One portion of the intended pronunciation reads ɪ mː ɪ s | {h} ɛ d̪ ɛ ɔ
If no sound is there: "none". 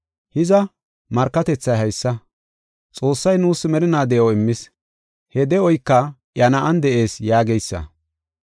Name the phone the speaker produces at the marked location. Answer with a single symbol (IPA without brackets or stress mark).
h